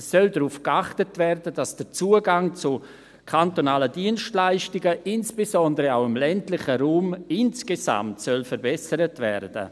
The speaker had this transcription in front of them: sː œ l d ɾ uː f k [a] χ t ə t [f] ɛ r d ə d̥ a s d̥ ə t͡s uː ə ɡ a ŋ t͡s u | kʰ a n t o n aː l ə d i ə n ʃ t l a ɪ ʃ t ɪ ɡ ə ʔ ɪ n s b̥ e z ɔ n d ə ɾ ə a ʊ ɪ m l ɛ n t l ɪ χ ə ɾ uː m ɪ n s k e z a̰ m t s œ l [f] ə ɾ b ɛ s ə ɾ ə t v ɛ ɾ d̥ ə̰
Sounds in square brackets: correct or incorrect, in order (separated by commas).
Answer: correct, incorrect, correct